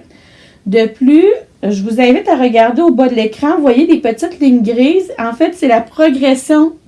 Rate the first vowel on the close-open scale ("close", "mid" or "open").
mid